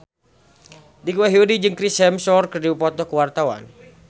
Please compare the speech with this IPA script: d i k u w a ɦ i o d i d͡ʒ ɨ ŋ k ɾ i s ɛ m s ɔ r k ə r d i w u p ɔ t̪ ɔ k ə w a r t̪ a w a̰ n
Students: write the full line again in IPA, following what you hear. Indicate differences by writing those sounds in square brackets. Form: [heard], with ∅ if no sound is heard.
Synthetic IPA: d i k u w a ɦ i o d i d͡ʒ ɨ ŋ k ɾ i s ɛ m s ɔ r k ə r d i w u p ɔ t̪ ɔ k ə w a r t̪ a w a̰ n